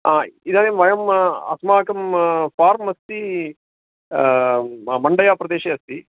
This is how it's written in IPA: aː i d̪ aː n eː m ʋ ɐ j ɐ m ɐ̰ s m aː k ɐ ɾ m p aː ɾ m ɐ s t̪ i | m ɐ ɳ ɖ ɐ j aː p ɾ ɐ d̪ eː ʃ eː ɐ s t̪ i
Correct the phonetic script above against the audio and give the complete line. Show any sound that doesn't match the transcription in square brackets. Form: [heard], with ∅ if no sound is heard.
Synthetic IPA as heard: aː i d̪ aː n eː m ʋ ɐ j ɐ m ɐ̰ s m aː k ɐ [∅] m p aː ɾ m ɐ s t̪ i | m ɐ ɳ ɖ ɐ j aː p ɾ ɐ d̪ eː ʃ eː ɐ s t̪ i